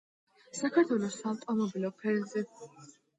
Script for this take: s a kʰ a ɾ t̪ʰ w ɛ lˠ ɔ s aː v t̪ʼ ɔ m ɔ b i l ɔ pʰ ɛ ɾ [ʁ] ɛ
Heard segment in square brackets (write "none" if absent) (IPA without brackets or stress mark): z